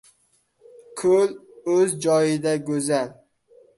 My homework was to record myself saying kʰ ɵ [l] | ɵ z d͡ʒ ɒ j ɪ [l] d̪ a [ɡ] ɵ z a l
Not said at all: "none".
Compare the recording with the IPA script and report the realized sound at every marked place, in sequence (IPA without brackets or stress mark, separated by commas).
l, none, ɡ